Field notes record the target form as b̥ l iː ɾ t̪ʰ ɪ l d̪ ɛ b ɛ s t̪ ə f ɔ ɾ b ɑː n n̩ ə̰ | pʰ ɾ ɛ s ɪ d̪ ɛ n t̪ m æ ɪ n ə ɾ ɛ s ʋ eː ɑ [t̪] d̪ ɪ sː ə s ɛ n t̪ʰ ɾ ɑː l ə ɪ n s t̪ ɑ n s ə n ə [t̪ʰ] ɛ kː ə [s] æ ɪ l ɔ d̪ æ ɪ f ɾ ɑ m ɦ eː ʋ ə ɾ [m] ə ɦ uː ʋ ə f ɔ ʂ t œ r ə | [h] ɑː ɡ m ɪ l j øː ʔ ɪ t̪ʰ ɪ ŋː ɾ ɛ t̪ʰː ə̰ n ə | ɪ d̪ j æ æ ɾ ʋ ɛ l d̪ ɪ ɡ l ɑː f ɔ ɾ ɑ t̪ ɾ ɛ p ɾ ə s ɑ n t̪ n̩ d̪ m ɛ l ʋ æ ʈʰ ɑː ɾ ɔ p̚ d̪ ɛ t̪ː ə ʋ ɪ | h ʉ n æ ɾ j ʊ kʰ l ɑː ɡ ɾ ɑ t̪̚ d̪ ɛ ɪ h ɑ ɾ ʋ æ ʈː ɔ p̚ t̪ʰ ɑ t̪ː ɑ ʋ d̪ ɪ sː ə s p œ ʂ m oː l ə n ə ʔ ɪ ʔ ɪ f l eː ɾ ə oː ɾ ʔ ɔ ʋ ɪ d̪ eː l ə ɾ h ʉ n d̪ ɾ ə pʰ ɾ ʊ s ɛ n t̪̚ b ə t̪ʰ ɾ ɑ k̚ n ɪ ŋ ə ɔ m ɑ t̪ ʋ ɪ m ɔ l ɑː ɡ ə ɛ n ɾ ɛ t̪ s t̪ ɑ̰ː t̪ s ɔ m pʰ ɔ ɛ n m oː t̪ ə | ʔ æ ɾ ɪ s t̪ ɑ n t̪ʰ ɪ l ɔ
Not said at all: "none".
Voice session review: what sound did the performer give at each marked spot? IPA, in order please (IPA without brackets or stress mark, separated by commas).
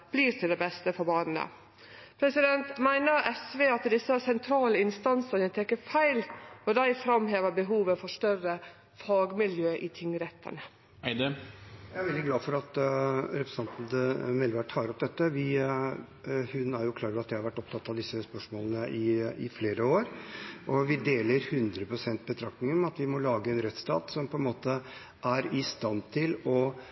t̪, t̪ʰ, f, b, f